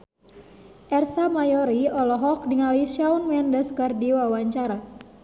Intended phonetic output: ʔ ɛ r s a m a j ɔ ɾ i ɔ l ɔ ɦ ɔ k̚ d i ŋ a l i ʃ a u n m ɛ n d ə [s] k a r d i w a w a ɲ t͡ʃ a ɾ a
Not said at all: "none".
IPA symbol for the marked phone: s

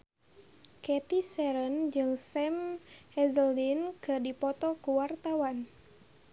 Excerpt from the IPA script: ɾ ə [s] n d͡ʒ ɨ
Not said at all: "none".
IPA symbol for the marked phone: none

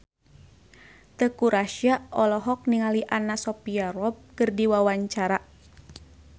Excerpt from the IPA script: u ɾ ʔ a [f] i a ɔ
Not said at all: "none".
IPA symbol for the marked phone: ʃ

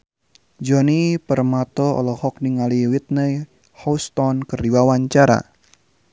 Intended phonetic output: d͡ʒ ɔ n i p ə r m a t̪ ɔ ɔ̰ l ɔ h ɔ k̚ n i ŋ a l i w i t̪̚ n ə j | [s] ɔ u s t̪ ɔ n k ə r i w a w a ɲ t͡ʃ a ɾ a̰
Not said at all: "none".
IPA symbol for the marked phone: h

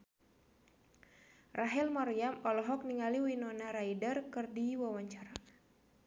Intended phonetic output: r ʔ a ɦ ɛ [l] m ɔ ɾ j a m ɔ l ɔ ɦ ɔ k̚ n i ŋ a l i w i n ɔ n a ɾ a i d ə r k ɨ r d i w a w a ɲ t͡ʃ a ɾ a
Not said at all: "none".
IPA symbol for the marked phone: l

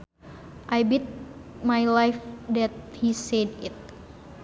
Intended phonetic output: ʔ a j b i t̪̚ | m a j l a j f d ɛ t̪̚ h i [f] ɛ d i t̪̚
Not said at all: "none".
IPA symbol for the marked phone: s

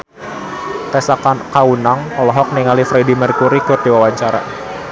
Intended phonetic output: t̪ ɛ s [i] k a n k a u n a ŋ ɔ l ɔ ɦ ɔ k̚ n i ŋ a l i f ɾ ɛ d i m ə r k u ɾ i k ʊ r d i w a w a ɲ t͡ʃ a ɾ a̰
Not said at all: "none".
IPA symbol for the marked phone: a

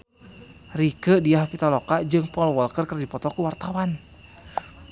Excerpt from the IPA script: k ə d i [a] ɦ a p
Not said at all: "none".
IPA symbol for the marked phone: a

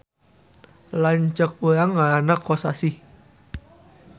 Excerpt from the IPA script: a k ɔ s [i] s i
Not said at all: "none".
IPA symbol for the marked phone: a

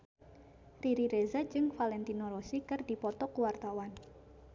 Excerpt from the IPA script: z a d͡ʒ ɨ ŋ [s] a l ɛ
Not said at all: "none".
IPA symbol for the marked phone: f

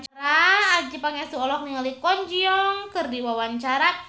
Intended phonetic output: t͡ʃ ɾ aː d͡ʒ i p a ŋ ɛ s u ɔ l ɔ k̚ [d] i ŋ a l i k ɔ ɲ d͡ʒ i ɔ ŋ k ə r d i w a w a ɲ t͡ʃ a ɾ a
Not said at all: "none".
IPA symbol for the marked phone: n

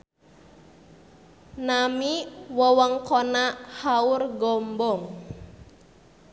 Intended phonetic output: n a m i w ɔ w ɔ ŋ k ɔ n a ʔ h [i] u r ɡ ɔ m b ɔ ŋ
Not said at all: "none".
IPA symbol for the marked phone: a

